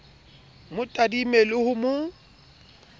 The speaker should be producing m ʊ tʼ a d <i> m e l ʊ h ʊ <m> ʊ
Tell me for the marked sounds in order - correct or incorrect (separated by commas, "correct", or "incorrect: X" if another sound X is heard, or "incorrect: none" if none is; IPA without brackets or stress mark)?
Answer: correct, correct